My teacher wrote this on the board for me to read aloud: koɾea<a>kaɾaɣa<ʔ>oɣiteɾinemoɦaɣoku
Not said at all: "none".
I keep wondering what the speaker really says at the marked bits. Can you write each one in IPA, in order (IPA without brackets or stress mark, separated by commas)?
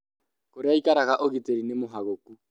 i, ʔ